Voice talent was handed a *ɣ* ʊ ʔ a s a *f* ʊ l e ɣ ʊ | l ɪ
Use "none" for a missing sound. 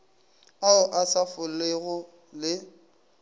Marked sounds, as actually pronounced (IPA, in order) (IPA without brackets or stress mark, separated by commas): none, f